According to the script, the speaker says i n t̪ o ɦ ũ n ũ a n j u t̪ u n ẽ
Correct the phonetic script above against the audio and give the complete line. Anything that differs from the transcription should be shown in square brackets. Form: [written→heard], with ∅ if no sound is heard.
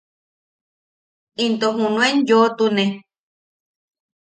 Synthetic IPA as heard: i n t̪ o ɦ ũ n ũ [a→e] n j [u→o] t̪ u n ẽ